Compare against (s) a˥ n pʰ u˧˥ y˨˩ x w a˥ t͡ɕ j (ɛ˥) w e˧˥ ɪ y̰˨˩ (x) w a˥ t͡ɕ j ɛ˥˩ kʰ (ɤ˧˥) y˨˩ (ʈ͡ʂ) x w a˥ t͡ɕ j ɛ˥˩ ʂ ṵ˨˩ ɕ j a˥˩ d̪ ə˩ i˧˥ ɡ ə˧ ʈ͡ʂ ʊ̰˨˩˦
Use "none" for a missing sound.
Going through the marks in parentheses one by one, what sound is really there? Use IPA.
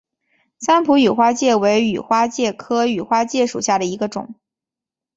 s, ɛ˥˩, x, ɤ˥, none

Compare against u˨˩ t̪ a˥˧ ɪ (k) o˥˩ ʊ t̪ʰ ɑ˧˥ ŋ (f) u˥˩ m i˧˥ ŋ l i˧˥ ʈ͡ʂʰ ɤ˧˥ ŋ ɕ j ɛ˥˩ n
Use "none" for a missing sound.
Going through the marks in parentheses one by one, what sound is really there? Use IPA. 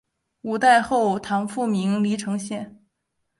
x, f

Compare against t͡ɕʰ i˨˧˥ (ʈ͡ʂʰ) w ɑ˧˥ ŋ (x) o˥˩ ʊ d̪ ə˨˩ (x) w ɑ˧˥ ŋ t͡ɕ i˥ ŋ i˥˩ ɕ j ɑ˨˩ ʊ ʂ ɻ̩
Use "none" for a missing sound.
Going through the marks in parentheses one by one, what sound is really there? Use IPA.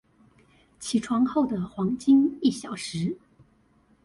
ʈ͡ʂʰ, x, x

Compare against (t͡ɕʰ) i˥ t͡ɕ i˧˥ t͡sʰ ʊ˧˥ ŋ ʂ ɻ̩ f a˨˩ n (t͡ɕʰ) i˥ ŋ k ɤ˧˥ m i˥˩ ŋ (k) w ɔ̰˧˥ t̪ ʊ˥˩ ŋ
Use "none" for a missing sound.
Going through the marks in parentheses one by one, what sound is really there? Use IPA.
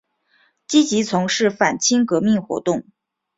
t͡ɕ, t͡ɕʰ, x

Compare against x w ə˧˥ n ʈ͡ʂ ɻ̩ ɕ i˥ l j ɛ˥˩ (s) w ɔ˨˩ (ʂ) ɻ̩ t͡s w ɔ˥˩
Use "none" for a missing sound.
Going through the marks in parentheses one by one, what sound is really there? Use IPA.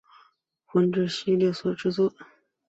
s, ʈ͡ʂ

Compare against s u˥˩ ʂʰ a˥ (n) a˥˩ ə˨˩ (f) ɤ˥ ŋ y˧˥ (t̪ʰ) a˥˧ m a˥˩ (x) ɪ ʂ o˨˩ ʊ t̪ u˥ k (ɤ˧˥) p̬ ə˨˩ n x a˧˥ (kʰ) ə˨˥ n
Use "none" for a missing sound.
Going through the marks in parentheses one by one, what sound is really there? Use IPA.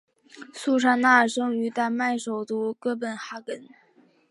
n, ʂ, t̪, none, ɤ˥˩, k

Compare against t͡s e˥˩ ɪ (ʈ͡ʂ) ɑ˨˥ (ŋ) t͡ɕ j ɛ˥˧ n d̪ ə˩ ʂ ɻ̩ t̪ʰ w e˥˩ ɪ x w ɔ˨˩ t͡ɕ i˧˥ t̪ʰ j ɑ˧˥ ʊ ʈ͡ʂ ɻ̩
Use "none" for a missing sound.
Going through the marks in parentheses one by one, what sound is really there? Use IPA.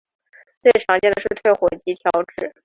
ʈ͡ʂʰ, ŋ

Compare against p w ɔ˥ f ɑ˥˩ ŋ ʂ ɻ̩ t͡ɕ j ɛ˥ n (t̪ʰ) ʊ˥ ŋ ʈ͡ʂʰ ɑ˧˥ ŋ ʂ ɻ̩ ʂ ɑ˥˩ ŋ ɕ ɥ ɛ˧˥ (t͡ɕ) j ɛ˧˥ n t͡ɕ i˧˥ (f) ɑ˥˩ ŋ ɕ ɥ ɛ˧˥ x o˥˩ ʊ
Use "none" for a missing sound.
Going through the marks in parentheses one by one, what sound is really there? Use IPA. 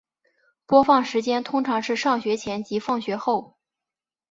t̪ʰ, t͡ɕʰ, f

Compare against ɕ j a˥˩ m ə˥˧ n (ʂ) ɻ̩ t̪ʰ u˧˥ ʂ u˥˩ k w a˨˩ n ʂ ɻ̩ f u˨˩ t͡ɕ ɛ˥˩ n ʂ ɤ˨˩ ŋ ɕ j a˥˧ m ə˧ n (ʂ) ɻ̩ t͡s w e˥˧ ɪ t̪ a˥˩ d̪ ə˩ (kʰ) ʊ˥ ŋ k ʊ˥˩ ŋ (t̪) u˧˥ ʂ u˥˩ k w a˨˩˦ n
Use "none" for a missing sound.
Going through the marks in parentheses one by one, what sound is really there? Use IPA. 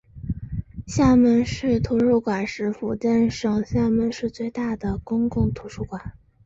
ʂ, ʂ, k, t̪ʰ

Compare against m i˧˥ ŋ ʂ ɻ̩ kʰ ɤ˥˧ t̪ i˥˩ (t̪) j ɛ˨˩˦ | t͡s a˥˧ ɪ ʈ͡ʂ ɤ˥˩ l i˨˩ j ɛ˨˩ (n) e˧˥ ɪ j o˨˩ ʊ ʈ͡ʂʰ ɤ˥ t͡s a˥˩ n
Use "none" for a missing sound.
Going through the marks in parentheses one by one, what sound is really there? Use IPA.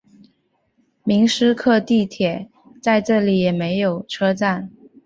t̪ʰ, m

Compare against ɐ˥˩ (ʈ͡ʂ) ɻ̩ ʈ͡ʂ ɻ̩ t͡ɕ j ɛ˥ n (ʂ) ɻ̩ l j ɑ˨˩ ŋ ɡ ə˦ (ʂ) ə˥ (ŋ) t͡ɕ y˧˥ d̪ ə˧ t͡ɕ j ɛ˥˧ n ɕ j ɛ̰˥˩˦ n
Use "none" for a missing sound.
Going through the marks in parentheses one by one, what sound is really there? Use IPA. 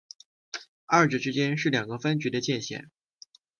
ʈ͡ʂ, ʂ, f, n

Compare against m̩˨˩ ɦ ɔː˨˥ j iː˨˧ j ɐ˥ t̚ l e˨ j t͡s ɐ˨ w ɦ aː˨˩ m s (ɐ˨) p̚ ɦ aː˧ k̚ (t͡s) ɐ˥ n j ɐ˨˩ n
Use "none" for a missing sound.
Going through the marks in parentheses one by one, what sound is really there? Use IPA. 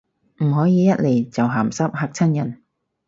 ɐ˥, t͡sʰ

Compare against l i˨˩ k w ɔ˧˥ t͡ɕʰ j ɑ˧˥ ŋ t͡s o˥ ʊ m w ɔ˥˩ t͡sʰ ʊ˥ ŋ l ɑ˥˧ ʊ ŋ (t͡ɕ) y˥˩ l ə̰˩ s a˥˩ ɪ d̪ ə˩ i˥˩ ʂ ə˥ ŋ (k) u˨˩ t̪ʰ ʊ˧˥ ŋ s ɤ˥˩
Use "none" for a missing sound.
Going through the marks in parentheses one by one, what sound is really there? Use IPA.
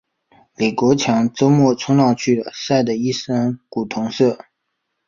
t͡ɕʰ, k

